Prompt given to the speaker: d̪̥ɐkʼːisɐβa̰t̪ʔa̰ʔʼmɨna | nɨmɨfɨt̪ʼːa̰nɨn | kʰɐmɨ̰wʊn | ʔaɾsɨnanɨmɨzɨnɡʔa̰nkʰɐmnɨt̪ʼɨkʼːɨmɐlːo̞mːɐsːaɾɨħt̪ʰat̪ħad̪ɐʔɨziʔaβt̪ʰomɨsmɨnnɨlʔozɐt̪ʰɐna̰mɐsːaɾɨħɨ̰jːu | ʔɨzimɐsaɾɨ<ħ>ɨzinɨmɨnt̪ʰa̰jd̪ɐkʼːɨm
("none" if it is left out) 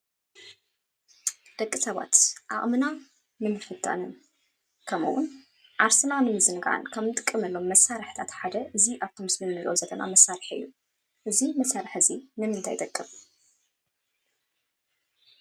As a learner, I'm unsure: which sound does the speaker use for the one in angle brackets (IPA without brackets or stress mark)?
ħ